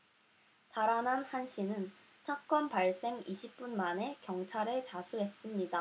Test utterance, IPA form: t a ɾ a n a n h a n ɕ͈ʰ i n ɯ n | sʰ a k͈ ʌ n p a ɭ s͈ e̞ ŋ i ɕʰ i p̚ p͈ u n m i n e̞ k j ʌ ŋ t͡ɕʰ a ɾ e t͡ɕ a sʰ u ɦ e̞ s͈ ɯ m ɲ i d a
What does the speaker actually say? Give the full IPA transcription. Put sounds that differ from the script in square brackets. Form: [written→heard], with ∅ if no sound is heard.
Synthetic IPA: t a ɾ a n a n h a n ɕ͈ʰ i n ɯ n | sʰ a k͈ ʌ n p a ɭ s͈ e̞ ŋ i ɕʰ i p̚ p͈ u n m [i→a] n e̞ k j ʌ ŋ t͡ɕʰ a ɾ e t͡ɕ a sʰ u ɦ e̞ s͈ ɯ m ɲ i d a